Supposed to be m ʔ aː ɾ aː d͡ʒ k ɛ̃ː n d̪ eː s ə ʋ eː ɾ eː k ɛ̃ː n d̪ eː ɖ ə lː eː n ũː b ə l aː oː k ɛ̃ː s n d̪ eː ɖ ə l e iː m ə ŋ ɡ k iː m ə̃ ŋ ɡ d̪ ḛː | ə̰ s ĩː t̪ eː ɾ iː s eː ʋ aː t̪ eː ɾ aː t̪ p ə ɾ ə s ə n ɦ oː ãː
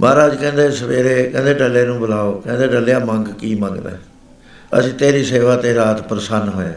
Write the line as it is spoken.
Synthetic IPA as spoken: m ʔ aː ɾ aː d͡ʒ k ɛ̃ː n d̪ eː s ə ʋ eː ɾ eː k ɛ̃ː n d̪ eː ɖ ə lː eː n ũː b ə l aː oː k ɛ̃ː n d̪ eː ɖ ə l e aː m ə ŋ ɡ k iː m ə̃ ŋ ɡ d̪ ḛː | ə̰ s ĩː t̪ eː ɾ iː s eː ʋ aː t̪ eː ɾ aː t̪ p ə ɾ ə s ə n ɦ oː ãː